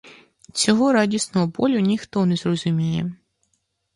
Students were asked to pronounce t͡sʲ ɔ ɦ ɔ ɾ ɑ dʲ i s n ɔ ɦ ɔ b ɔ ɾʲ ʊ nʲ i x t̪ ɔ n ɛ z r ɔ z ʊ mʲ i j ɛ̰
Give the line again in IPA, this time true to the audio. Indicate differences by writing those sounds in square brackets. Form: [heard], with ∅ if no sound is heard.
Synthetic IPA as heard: t͡sʲ ɔ ɦ ɔ ɾ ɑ dʲ i s n ɔ ɦ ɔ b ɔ [lʲ] ʊ nʲ i x t̪ ɔ n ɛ z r ɔ z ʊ mʲ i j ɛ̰

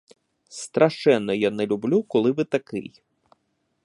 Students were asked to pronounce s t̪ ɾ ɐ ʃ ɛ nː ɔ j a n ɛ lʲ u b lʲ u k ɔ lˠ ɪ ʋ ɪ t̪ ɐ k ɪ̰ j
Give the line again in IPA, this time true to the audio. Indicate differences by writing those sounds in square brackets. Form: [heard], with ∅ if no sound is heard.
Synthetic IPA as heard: s t̪ ɾ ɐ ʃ ɛ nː ɔ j a n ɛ lʲ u b lʲ u k ɔ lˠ ɪ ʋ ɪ t̪ ɐ k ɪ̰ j

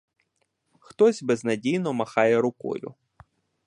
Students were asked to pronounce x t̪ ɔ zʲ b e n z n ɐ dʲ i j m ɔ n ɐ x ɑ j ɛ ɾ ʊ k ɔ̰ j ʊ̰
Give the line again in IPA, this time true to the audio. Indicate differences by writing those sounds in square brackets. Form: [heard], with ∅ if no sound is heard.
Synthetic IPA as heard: x t̪ ɔ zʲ b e [∅] z n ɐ dʲ i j [n] ɔ [m] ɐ x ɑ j ɛ ɾ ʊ k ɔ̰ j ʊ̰

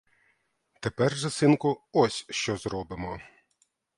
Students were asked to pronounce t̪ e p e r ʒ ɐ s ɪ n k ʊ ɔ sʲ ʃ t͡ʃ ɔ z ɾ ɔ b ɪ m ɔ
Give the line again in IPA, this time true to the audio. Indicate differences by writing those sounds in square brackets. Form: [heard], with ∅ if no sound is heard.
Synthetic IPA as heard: t̪ e p [ɛ] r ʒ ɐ s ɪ n k ʊ ɔ sʲ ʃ t͡ʃ ɔ z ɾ ɔ b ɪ m ɔ

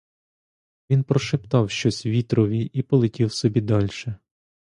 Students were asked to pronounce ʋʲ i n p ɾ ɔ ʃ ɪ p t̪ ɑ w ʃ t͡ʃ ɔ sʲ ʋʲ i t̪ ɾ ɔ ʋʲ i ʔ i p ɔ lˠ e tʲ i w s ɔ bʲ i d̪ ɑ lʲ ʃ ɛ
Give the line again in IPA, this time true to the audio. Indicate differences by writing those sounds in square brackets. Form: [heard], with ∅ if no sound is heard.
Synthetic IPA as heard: ʋʲ i n p ɾ ɔ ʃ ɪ p t̪ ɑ w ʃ t͡ʃ ɔ sʲ ʋʲ i t̪ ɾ ɔ ʋʲ i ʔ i p ɔ lˠ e tʲ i w s ɔ bʲ i d̪ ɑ lʲ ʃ ɛ

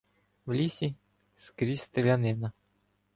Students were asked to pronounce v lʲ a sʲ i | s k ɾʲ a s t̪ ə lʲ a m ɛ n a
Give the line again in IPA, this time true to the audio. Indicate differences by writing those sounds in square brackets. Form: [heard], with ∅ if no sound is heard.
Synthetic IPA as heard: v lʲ [i] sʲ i | s k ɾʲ [i] s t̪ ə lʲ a [n] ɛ n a

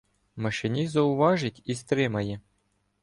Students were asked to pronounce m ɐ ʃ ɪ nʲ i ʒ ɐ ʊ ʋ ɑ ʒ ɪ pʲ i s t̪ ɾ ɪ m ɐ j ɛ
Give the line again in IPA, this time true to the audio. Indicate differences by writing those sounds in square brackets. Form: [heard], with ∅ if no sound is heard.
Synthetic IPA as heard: m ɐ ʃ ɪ nʲ i [z] ɐ ʊ ʋ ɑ ʒ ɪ [tʲ] i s t̪ ɾ ɪ m ɐ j ɛ

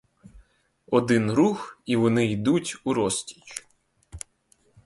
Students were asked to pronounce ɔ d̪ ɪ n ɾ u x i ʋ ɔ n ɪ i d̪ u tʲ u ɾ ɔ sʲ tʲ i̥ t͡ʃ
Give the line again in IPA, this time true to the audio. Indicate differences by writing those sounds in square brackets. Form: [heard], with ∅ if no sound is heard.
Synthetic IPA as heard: ɔ d̪ ɪ n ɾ u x i ʋ ɔ n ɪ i d̪ u tʲ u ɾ ɔ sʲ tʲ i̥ t͡ʃ

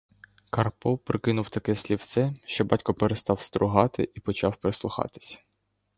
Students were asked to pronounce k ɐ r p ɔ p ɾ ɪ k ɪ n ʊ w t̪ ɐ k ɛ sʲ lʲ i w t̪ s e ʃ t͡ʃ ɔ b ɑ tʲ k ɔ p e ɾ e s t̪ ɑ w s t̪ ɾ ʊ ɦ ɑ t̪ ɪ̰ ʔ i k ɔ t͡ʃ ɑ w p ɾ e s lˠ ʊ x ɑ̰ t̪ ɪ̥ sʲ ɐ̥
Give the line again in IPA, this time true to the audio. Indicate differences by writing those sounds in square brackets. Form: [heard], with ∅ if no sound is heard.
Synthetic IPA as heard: k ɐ r p ɔ p ɾ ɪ k ɪ n ʊ w t̪ ɐ k ɛ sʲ lʲ i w t̪ s [ɛ] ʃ t͡ʃ ɔ b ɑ tʲ k ɔ p e ɾ e s t̪ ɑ w s t̪ ɾ ʊ ɦ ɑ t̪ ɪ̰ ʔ i [p] ɔ t͡ʃ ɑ w p ɾ e s lˠ ʊ x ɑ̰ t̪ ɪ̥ sʲ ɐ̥

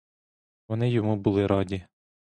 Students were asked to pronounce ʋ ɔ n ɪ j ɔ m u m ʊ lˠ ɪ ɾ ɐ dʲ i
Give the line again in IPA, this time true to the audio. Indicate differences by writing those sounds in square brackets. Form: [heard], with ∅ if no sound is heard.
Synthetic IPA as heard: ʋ ɔ n ɪ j ɔ m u [b] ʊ lˠ ɪ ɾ [ɑ] dʲ i

